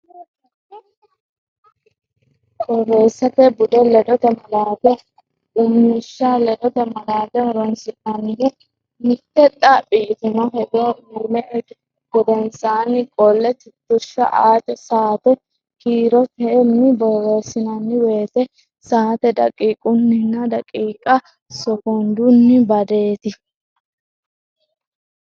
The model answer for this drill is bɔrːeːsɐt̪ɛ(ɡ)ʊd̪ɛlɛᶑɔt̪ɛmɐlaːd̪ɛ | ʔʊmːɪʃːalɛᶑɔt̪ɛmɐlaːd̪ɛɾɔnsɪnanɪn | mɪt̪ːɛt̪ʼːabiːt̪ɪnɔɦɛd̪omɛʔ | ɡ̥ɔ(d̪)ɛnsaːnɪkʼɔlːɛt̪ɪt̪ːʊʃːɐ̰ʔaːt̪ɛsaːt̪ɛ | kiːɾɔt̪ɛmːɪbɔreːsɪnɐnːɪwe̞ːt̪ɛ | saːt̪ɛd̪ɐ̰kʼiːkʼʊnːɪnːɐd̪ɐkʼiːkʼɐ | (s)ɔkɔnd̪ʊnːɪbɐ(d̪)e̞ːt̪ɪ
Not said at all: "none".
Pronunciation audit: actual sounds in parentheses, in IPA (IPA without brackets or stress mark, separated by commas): b, d̪, s, d̪